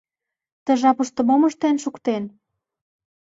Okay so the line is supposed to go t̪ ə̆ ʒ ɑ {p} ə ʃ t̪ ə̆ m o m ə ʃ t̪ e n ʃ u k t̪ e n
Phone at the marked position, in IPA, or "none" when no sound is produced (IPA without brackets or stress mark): p